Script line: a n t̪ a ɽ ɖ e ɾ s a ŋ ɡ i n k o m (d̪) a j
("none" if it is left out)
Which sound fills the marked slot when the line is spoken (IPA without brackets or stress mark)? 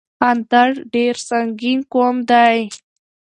d̪